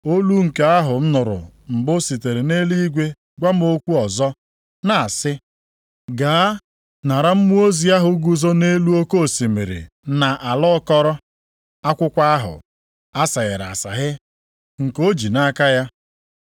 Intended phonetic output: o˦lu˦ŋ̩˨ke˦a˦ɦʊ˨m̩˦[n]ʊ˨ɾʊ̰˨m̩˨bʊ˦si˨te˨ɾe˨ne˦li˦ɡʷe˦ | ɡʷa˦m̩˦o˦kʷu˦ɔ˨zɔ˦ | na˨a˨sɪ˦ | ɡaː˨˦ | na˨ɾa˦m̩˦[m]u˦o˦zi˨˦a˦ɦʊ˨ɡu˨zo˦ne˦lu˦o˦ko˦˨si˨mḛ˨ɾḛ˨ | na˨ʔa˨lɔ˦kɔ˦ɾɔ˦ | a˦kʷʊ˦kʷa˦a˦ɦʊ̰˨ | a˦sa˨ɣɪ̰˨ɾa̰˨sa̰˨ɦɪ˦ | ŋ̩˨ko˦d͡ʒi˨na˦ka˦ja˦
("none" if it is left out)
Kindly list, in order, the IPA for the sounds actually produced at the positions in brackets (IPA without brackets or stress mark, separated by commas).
n, m